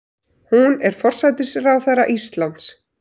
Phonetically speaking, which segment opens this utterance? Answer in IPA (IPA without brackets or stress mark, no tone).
h